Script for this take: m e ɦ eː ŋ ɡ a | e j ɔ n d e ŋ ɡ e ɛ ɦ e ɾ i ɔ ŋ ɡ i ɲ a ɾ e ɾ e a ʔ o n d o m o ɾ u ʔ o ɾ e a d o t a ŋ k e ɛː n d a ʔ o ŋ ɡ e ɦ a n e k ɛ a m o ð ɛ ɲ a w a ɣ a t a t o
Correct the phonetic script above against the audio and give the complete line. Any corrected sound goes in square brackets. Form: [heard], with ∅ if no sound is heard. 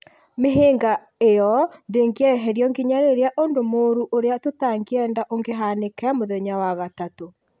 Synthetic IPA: m e ɦ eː ŋ ɡ a | e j ɔ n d e ŋ ɡ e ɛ ɦ [ɛ] ɾ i ɔ ŋ ɡ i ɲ a ɾ e ɾ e a ʔ o n d o m o ɾ u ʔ o ɾ e a [t] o t a ŋ [ɡ] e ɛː n d a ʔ o ŋ ɡ e ɦ a n e k ɛ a m o ð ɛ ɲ a w a ɣ a t a t o